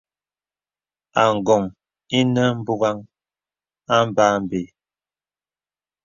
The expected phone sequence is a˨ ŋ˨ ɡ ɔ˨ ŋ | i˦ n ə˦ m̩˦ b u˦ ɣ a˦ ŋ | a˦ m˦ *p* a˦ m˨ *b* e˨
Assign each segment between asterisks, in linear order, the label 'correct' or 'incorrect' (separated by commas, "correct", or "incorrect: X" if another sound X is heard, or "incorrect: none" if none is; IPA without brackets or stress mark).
incorrect: b, correct